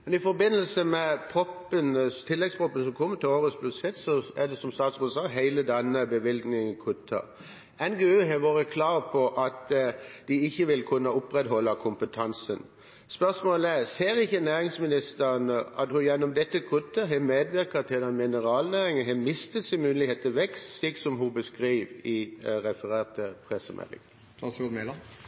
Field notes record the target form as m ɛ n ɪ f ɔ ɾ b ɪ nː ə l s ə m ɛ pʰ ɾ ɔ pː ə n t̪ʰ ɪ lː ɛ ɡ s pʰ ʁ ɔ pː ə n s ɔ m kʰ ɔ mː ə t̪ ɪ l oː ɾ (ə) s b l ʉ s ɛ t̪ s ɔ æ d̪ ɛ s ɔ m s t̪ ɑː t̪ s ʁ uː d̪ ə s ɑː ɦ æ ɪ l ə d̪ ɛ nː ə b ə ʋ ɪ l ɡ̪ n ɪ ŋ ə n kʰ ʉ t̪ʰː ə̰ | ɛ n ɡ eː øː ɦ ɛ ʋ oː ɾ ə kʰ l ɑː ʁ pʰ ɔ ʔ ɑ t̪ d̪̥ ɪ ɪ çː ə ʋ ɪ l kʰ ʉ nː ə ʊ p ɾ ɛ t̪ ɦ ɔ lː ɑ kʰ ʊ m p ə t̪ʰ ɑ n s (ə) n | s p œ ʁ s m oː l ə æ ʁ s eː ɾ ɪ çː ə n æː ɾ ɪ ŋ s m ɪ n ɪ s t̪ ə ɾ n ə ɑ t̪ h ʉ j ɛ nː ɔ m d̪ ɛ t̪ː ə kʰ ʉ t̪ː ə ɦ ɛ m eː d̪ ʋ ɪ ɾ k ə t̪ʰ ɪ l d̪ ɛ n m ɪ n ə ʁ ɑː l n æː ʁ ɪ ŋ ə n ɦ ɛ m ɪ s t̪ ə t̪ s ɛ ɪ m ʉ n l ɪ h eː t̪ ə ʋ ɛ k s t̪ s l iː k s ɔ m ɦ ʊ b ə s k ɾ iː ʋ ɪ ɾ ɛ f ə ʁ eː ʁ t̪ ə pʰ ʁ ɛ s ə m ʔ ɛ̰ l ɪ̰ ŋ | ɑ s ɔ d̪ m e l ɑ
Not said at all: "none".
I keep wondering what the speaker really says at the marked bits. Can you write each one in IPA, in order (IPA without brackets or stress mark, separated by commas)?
ə, ə